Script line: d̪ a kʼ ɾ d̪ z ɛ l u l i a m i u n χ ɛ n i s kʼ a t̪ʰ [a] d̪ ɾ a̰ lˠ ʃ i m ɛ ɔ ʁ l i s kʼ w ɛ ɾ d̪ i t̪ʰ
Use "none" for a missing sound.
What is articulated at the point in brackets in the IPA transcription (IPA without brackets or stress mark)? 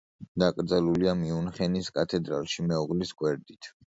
ɛ